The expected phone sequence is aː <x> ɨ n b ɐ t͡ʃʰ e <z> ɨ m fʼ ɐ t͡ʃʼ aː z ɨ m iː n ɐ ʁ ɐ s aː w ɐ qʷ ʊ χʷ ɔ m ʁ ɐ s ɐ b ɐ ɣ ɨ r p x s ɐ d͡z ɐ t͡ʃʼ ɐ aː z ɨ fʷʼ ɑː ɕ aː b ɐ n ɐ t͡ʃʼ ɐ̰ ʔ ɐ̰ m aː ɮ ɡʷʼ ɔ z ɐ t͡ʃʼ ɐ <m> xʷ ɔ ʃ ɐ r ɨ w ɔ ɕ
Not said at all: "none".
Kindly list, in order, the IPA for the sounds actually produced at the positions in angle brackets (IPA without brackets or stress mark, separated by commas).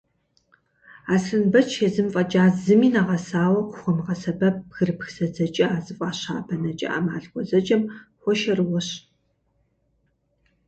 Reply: s, z, m